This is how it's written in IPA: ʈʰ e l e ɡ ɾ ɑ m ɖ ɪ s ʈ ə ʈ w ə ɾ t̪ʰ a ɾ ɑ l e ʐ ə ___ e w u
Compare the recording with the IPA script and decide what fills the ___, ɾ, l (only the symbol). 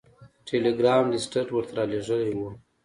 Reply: l